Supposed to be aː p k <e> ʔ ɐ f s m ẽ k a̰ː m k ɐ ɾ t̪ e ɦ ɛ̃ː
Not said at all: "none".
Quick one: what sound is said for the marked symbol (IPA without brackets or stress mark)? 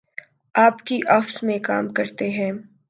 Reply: i